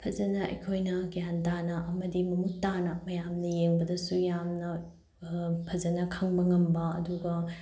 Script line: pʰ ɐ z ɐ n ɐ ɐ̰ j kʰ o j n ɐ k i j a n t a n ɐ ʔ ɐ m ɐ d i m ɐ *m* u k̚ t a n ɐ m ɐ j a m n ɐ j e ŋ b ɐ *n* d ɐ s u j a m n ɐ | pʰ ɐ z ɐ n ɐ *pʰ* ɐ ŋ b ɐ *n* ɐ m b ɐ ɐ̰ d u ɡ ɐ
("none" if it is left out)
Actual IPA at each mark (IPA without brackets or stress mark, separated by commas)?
m, none, kʰ, ŋ